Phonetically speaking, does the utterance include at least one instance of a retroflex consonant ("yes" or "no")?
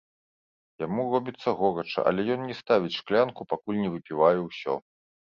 yes